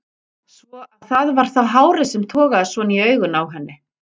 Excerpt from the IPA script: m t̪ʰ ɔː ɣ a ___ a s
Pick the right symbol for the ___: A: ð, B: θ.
A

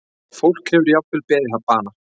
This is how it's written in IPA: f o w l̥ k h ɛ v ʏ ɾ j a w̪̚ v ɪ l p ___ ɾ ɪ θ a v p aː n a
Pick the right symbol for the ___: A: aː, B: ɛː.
B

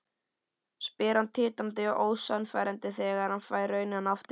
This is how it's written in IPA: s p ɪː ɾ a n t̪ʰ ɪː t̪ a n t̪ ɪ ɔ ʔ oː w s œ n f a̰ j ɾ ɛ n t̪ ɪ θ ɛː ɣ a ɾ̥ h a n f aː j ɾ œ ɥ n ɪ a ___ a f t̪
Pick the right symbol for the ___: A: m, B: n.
B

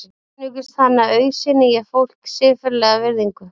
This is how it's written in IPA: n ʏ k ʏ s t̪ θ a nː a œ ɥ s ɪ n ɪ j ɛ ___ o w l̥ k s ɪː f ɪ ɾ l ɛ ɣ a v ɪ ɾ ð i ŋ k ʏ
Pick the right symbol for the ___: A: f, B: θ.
A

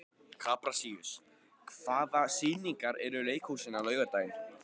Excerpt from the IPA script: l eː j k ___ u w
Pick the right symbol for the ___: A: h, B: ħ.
A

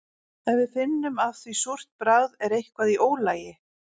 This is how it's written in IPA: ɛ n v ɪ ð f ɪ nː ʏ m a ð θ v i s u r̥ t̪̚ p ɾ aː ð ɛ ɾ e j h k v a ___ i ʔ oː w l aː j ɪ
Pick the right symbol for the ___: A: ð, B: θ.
A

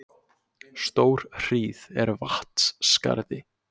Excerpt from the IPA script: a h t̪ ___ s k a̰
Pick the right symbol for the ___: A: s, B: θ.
A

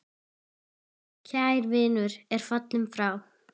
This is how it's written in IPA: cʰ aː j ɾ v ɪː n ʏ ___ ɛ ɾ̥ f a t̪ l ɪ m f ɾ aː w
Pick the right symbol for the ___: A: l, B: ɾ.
B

